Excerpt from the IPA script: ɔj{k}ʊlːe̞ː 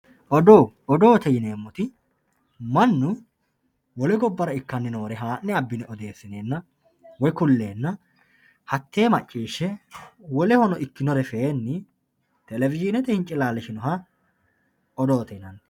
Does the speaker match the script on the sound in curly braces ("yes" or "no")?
yes